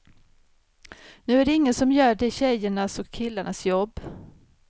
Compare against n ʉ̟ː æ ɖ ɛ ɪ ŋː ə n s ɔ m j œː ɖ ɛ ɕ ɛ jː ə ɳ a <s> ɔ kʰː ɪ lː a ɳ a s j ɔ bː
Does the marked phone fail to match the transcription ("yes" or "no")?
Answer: no